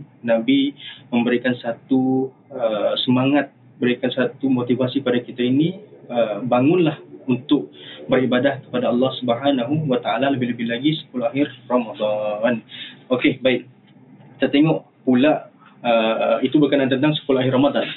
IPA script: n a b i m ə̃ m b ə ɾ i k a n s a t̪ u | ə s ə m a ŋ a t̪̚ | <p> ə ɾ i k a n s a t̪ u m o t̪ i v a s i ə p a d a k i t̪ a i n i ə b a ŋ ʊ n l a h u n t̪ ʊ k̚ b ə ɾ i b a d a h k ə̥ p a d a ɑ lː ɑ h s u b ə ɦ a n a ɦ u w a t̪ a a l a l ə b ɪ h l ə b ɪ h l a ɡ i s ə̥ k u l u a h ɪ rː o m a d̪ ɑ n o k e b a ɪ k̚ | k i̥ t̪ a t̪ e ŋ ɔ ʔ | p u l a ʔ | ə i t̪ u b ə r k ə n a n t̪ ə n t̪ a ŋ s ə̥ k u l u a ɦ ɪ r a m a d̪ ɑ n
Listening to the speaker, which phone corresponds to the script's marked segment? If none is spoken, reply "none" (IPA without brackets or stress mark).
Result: b